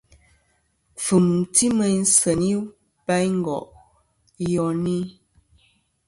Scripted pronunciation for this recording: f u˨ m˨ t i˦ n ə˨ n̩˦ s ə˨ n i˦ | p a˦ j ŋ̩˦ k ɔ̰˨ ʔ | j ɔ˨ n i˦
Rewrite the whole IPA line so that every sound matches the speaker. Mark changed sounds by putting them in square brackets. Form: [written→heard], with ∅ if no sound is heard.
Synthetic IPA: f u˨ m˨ t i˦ [n→m] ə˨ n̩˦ s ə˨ n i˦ | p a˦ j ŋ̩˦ [k→ɡ] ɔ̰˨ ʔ | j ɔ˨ n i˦

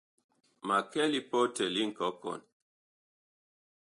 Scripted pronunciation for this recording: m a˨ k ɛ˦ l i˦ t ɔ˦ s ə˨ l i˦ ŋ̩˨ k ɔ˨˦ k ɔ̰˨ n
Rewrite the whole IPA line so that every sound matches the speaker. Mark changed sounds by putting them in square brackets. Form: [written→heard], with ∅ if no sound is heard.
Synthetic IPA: m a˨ k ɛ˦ l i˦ [t→p] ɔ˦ [s→t] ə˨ l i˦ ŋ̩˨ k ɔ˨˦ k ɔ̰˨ n

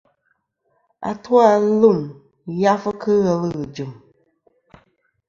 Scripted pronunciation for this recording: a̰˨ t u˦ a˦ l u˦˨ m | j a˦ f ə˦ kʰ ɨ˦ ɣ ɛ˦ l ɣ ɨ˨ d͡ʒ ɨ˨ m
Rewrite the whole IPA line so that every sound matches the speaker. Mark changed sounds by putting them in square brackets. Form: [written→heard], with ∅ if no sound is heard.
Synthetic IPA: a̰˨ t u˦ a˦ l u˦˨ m | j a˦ f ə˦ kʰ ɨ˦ ɣ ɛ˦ l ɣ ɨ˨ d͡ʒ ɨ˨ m

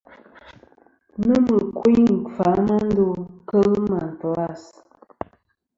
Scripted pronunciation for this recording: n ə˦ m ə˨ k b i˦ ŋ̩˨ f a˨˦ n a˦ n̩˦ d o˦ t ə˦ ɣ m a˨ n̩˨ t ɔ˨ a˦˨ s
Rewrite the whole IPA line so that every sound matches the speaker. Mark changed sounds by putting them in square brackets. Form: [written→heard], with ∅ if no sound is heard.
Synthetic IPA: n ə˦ m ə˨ k [b→w] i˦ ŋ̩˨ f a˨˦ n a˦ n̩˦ d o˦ [t→k] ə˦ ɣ m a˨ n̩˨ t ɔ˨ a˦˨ s

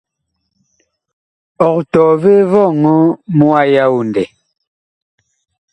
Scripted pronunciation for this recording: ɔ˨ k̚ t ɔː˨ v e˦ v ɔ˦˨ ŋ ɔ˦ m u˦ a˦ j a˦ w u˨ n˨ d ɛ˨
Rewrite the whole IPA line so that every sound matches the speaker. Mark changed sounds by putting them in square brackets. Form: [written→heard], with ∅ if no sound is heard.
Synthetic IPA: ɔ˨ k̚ t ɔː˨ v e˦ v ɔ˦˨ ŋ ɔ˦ m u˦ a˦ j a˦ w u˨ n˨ d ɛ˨

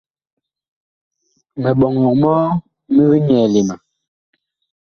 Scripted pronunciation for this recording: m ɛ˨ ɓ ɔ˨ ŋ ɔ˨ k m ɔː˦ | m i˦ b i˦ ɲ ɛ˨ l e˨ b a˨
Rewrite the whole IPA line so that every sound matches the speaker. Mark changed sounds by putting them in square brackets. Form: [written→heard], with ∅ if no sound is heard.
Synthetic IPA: m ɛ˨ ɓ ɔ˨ ŋ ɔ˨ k m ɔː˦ | m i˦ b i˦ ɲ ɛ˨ l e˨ [b→m] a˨

